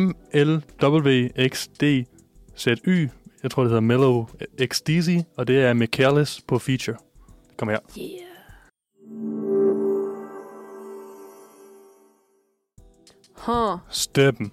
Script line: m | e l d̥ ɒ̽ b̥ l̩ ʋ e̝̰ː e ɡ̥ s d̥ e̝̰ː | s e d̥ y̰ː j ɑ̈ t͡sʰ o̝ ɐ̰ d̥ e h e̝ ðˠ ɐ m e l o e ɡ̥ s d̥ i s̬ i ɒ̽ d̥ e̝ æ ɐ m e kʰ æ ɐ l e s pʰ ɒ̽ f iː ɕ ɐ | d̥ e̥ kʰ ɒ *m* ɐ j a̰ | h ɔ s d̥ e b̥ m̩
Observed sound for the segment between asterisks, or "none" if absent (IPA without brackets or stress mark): m